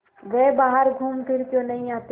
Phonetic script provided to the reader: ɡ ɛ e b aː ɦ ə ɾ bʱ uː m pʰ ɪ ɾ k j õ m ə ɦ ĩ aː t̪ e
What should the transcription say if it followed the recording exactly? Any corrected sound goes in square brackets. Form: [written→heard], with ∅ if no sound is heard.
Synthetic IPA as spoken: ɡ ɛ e b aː ɦ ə ɾ [bʱ→ɡʱ] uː m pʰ ɪ ɾ k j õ [m→n] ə ɦ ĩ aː t̪ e